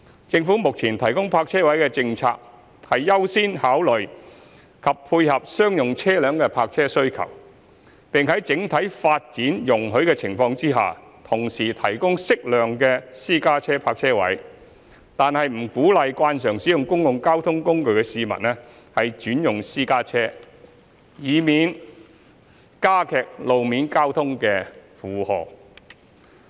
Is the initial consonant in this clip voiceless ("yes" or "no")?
yes